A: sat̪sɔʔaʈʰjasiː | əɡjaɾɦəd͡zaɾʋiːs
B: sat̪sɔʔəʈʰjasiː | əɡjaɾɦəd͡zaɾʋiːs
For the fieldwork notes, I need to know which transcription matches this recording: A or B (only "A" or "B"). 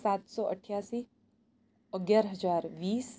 B